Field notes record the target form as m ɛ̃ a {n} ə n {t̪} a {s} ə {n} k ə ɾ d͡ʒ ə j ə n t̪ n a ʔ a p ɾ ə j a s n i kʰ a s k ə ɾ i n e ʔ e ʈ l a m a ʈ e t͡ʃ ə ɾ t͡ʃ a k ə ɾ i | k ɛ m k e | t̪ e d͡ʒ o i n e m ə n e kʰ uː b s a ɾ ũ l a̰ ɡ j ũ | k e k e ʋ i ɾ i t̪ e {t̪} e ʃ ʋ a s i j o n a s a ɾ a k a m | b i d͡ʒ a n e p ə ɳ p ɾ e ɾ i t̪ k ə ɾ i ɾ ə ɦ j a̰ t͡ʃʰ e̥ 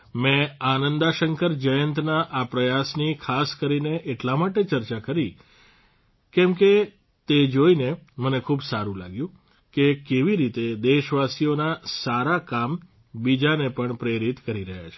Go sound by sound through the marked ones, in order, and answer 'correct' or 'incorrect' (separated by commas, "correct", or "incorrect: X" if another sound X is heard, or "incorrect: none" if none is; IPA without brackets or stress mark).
correct, incorrect: d̪, incorrect: ʃ, incorrect: ŋ, incorrect: d̪